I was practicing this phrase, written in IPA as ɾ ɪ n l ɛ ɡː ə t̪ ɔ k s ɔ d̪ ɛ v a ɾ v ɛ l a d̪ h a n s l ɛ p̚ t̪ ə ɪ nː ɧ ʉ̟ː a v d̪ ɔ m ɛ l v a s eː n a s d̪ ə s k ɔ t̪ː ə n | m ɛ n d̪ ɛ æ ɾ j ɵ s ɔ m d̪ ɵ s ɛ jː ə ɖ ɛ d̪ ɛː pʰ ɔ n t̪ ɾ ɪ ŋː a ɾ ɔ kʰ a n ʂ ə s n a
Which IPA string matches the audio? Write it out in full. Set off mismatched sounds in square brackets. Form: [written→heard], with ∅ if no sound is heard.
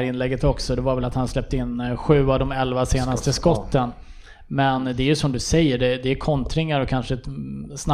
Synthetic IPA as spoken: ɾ ɪ n l ɛ ɡː ə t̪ ɔ k s ɔ d̪ ɛ v a ɾ v ɛ l a [d̪→t̪] h a n s l ɛ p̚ t̪ ə ɪ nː ɧ ʉ̟ː a v d̪ ɔ m ɛ l v a s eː n a s [d̪→t̪] ə s k ɔ t̪ː ə n | m ɛ n d̪ ɛ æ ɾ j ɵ s ɔ m d̪ ɵ s ɛ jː ə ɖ ɛ d̪ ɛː [pʰ→kʰ] ɔ n t̪ ɾ ɪ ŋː a ɾ ɔ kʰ a n ʂ ə s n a